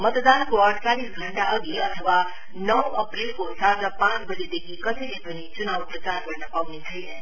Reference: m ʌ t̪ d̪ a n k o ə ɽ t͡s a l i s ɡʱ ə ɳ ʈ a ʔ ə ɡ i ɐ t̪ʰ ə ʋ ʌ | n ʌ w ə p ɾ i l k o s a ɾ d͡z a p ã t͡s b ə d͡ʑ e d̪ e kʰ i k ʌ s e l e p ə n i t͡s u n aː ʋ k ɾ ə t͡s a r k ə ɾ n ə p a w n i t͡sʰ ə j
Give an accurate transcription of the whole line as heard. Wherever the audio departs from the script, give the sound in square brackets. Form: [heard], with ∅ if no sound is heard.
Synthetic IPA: m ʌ t̪ d̪ a n k o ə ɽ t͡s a l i s ɡʱ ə ɳ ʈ a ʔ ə ɡ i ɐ t̪ʰ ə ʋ [a] | n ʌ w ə p ɾ i l k o s a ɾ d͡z a p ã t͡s b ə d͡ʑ e d̪ e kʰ i k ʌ s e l e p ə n i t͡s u n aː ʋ [p] ɾ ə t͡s a [ɾ] k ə ɾ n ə p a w n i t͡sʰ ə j